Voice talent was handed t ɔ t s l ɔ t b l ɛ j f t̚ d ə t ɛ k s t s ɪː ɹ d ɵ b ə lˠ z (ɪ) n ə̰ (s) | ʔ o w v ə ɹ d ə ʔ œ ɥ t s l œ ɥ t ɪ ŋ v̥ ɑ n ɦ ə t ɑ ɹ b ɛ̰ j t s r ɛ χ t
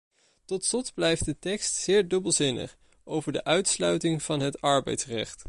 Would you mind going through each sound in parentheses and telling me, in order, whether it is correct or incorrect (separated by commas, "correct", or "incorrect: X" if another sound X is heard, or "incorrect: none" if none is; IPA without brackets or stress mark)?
correct, incorrect: χ